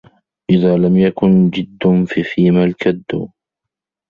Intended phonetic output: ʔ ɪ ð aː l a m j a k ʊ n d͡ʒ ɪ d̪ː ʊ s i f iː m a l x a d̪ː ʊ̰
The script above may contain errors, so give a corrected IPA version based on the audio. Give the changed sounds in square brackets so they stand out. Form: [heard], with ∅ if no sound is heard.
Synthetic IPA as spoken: ʔ ɪ ð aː l a m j a k ʊ n d͡ʒ ɪ d̪ː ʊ [f] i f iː m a l [k] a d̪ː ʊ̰